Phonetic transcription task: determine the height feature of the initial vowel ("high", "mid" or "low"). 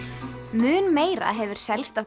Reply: high